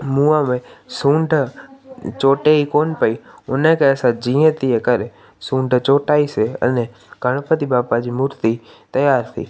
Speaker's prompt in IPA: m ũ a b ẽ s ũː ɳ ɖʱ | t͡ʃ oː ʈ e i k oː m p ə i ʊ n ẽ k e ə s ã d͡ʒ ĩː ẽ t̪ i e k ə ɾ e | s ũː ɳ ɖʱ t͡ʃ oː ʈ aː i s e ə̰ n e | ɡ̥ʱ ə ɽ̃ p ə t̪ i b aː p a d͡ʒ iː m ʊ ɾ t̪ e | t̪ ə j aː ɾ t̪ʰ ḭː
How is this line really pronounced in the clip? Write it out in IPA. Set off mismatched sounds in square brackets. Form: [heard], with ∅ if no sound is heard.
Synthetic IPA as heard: m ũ a [m] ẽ s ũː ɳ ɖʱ | t͡ʃ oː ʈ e i k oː [n] p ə i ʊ n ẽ k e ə s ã d͡ʒ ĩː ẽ t̪ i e k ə ɾ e | s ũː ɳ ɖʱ t͡ʃ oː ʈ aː i s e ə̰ n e | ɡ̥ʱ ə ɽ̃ p ə t̪ i b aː p a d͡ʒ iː m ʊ ɾ t̪ [i] | t̪ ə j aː ɾ t̪ʰ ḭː